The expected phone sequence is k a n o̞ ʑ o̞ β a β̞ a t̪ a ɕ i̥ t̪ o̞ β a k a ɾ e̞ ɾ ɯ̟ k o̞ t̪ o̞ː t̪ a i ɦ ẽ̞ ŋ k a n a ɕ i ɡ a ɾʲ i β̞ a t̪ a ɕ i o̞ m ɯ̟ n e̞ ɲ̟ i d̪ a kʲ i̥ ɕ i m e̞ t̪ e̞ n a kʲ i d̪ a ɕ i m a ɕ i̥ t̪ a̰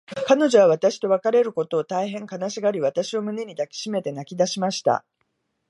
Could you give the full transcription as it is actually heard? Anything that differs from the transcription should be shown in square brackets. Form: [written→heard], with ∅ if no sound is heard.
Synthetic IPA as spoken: k a n o̞ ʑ o̞ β a β̞ a t̪ a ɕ i̥ t̪ o̞ β a k a ɾ e̞ ɾ ɯ̟ k o̞ t̪ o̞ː t̪ a i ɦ ẽ̞ ŋ k a n a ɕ i ɡ a ɾʲ i β̞ a t̪ a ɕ i o̞ m ɯ̟ n e̞ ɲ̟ i d̪ a kʲ i̥ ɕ i m e̞ t̪ e̞ n a kʲ i d̪ a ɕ i m a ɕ i̥ t̪ a̰